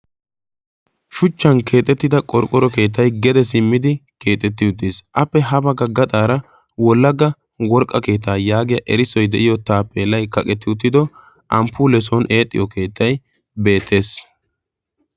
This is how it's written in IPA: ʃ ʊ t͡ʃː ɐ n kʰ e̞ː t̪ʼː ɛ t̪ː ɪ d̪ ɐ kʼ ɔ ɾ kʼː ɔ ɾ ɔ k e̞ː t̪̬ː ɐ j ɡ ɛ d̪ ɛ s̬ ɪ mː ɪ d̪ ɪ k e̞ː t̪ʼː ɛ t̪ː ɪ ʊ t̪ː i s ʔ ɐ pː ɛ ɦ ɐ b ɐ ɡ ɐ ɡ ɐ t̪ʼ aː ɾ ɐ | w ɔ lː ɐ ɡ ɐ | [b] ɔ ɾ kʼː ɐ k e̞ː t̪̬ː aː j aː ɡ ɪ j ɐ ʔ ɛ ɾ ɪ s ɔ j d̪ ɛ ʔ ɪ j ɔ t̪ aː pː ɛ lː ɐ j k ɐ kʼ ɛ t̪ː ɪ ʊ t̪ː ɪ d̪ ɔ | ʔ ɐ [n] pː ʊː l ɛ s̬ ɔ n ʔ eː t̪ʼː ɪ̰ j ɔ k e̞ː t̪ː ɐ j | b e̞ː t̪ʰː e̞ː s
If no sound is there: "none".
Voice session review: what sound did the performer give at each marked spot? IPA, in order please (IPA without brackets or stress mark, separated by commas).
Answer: w, m